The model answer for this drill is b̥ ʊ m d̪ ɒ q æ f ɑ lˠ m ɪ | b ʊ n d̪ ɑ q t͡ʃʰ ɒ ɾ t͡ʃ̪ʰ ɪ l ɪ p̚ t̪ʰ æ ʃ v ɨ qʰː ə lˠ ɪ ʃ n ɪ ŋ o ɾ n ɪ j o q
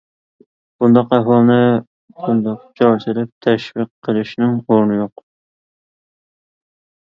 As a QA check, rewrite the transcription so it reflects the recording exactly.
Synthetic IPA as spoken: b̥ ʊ n d̪ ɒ q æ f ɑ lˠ n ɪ | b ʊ n d̪ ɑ q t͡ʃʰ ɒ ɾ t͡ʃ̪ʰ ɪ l ɪ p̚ t̪ʰ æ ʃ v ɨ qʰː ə lˠ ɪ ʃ n ɪ ŋ o ɾ n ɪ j o q